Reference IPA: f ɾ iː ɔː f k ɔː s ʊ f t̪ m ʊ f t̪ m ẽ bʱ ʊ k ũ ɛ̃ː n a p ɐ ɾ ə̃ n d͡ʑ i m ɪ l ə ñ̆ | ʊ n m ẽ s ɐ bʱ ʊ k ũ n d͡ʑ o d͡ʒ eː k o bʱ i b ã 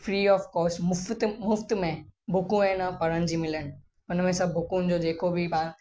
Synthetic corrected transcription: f ɾ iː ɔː f k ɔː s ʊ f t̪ m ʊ f t̪ m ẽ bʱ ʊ k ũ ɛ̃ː n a p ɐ ɾ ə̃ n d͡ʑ i m ɪ l ə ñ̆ | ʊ n m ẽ s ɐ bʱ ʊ k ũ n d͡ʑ o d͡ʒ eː k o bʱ i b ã